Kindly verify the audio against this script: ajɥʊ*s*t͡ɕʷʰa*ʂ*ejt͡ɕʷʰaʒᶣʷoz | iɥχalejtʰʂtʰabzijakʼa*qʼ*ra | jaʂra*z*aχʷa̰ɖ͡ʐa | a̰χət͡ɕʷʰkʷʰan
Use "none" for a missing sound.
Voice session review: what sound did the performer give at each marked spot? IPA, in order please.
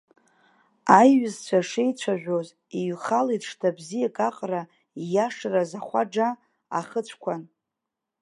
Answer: z, ʂ, qʼ, z

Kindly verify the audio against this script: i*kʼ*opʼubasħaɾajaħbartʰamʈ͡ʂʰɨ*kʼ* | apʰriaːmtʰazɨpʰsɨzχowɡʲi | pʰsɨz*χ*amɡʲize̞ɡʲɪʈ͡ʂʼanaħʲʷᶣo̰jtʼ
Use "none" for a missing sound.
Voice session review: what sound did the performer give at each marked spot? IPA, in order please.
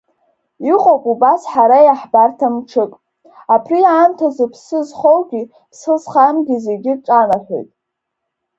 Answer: qʼ, kʼ, χ

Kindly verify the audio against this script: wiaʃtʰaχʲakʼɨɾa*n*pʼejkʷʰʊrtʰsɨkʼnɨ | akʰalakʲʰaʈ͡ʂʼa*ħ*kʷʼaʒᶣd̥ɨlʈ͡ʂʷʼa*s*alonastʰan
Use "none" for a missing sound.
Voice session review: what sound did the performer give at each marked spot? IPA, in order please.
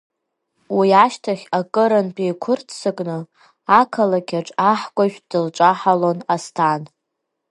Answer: n, ħ, ħ

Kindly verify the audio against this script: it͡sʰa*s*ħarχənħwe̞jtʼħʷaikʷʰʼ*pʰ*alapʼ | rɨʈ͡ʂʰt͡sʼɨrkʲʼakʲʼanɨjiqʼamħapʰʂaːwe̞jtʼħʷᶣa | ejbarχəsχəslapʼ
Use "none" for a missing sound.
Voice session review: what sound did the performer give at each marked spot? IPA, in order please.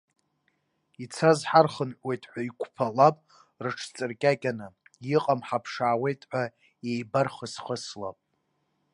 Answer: z, pʰ

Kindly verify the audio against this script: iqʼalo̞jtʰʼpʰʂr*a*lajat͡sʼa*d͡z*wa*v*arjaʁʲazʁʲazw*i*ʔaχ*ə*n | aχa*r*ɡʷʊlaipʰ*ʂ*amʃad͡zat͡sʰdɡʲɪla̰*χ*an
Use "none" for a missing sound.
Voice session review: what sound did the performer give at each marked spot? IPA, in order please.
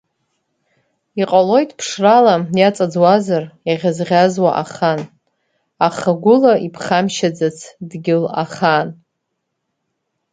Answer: a, d͡z, z, a, a, none, χ, χ

